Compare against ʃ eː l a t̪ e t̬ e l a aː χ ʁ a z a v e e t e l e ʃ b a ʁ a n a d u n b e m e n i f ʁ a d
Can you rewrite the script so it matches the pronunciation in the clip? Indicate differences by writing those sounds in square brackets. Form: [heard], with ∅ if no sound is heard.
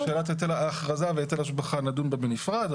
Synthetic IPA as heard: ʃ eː l a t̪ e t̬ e l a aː χ ʁ a z a v e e t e l [a] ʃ b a [χ] a n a d u n b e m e n i f ʁ a d